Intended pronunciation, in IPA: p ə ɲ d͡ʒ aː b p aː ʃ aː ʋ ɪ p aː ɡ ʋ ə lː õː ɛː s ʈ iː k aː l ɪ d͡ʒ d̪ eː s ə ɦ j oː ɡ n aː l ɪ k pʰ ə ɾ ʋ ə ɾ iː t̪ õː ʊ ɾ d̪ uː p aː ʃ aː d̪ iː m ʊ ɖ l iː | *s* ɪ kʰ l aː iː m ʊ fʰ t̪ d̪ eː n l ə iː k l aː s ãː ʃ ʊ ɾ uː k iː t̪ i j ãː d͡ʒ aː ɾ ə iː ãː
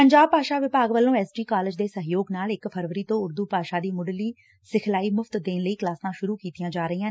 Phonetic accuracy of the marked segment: correct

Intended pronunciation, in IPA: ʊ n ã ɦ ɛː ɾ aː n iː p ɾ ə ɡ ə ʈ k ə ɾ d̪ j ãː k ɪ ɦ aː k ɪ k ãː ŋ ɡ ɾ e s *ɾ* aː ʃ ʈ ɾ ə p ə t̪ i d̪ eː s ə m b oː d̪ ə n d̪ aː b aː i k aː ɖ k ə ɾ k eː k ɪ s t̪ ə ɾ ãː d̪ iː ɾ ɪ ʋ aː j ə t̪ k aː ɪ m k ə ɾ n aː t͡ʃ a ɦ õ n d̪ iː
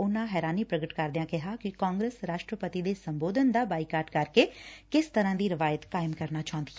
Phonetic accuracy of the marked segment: correct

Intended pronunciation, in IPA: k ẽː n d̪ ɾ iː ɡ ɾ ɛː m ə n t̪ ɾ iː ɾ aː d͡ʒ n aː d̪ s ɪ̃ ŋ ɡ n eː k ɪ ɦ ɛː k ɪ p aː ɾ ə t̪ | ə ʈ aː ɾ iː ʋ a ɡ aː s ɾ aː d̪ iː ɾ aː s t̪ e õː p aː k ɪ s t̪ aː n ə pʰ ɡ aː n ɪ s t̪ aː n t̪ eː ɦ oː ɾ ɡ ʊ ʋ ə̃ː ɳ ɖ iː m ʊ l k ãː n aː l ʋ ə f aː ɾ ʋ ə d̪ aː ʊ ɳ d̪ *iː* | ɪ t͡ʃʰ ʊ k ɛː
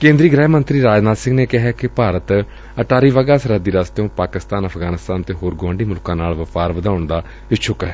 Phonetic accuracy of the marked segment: incorrect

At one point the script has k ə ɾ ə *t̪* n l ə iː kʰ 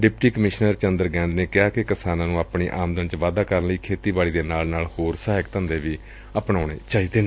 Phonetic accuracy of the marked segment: incorrect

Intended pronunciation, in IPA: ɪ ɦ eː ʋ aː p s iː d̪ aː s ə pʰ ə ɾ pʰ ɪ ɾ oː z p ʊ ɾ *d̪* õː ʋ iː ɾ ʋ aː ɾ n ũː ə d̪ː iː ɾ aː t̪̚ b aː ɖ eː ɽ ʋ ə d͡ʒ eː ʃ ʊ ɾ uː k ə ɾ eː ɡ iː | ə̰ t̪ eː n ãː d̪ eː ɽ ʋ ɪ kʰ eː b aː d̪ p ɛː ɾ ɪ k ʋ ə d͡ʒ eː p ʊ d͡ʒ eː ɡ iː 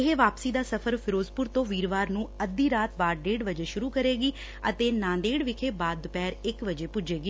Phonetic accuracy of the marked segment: incorrect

